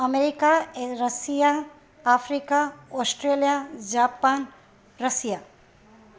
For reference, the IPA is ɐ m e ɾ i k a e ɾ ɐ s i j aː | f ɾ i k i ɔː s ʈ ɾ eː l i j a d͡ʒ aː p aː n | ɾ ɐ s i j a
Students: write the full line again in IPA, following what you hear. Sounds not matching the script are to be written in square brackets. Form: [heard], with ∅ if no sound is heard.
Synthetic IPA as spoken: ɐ m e ɾ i k a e ɾ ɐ s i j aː | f ɾ i k [a] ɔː s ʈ ɾ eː l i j a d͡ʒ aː p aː n | ɾ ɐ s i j a